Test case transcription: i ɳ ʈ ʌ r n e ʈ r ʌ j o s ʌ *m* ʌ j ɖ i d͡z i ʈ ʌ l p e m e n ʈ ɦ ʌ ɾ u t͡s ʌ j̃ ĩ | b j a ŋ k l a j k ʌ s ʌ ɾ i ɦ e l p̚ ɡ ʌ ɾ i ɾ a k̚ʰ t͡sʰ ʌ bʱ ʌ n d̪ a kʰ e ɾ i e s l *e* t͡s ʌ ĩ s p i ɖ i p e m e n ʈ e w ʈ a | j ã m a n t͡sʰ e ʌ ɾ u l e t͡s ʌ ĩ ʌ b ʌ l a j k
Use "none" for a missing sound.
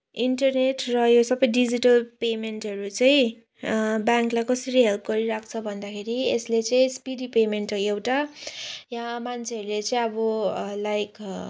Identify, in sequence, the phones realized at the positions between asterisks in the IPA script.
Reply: b, e

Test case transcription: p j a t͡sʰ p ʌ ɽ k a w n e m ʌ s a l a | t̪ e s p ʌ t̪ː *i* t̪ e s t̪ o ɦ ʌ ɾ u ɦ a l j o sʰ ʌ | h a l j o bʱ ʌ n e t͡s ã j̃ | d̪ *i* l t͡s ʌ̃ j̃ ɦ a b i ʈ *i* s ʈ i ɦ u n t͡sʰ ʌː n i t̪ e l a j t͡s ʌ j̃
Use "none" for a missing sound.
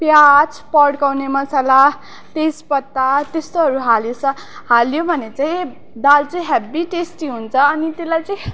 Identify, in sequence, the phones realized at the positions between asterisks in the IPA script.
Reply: a, a, e

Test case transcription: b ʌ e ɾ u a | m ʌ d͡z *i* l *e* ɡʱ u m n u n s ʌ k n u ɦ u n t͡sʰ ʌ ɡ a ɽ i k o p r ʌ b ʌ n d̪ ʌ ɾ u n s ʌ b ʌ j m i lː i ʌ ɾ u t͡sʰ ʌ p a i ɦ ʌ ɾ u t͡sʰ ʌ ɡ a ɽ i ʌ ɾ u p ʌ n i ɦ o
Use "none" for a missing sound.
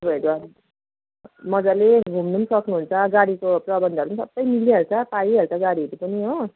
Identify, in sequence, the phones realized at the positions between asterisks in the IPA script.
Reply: a, e

